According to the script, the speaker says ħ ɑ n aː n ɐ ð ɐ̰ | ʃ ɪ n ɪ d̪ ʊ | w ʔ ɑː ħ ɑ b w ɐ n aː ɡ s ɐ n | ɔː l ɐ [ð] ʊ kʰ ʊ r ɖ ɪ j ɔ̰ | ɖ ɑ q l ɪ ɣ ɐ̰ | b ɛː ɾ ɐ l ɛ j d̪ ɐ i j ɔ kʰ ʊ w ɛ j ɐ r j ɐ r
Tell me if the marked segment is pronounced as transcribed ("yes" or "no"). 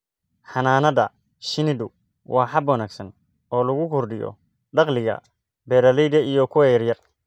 no